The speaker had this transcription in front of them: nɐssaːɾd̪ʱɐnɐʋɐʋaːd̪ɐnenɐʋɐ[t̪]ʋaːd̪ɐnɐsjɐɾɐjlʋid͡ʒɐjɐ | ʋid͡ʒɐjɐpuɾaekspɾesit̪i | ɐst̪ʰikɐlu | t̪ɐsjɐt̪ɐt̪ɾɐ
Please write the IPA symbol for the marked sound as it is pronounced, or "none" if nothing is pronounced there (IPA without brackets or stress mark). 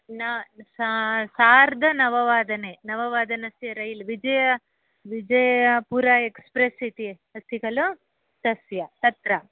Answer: none